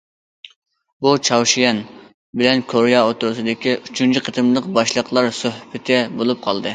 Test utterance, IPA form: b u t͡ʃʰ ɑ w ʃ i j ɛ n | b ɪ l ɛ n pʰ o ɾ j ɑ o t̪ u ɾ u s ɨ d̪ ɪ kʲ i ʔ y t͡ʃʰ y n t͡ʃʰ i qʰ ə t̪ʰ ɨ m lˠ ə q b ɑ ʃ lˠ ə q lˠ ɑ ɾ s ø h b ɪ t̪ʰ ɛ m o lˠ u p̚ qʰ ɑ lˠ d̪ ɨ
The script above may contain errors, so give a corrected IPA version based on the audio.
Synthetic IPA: b u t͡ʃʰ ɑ w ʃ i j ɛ n | b ɪ l ɛ n kʰ o ɾ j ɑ o t̪ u ɾ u s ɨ d̪ ɪ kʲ i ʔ y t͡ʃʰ y n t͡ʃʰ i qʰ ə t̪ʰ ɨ m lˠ ə q b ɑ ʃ lˠ ə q lˠ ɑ ɾ s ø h b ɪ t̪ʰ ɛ b o lˠ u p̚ qʰ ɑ lˠ d̪ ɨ